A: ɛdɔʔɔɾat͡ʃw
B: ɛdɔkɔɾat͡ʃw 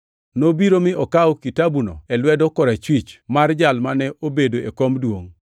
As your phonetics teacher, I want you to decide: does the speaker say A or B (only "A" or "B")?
B